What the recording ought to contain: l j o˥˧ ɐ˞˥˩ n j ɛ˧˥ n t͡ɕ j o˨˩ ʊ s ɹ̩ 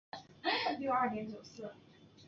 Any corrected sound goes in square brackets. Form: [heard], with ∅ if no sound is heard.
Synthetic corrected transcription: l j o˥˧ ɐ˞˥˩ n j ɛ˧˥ n t͡ɕ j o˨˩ ʊ s ɹ̩